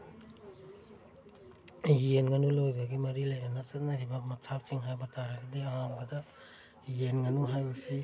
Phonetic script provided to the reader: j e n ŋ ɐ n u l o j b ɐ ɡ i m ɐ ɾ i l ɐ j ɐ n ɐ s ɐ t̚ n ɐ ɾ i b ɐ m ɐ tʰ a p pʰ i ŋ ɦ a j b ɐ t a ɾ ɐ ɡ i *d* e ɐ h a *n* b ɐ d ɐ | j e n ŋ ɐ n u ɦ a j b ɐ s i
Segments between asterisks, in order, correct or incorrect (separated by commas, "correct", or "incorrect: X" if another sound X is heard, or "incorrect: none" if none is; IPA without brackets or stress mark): correct, incorrect: ŋ